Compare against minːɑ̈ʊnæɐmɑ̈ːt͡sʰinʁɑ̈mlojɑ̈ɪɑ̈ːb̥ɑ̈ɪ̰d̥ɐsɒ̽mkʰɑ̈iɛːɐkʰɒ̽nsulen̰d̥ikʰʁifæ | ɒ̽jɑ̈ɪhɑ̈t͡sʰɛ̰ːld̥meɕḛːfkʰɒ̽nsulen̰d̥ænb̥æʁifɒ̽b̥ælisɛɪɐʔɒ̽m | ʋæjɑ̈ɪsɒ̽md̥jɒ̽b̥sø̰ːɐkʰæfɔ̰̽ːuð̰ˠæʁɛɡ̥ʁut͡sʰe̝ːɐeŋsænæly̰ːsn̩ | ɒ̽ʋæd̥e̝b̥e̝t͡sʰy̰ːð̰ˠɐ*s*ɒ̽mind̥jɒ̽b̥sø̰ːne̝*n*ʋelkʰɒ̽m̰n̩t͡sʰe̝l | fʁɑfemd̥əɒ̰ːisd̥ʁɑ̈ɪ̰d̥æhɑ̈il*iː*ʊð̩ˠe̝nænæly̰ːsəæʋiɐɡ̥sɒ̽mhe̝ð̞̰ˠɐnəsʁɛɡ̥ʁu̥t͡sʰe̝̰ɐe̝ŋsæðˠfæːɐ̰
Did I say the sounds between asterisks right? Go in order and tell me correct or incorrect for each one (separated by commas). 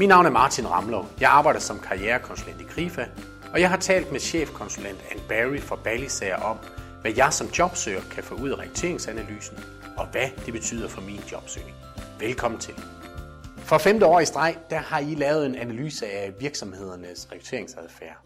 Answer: incorrect, incorrect, incorrect